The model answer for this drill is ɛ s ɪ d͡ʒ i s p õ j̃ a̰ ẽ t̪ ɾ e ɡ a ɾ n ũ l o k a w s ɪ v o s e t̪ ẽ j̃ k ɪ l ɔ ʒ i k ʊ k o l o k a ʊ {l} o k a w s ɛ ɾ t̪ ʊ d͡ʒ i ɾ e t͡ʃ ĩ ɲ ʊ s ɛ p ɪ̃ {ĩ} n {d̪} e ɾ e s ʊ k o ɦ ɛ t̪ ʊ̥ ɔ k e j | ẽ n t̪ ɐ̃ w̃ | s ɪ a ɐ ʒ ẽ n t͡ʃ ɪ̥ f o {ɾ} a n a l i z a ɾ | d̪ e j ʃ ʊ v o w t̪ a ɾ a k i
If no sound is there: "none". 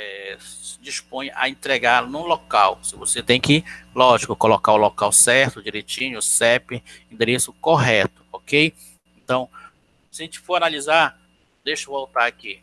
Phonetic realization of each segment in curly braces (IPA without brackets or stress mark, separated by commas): l, ĩ, d̪, ɾ